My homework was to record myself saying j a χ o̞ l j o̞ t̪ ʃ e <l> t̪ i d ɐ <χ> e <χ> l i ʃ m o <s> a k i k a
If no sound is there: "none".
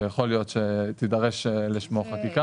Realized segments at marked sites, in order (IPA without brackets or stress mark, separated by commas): none, ʁ, ʃ, χ